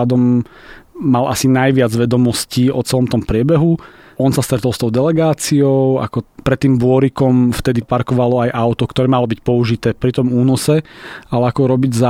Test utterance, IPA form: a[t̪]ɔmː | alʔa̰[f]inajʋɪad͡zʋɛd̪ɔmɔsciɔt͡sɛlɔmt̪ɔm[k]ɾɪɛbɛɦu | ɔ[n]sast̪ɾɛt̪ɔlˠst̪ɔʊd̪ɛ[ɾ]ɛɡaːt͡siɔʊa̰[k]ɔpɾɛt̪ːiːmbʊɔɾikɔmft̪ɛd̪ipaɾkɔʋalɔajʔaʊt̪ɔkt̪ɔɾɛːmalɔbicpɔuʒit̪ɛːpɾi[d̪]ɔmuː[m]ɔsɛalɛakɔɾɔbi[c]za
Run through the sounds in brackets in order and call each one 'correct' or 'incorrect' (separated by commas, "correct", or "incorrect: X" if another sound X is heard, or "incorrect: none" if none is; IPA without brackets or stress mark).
incorrect: d̪, incorrect: s, incorrect: p, correct, incorrect: l, correct, incorrect: t̪, incorrect: n, incorrect: ɟ